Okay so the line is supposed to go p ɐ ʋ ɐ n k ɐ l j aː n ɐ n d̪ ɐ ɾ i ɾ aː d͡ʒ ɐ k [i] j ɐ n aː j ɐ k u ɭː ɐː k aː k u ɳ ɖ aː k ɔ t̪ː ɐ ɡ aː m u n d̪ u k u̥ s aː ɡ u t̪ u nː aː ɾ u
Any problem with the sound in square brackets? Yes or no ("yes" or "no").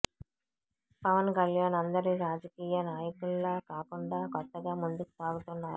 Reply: yes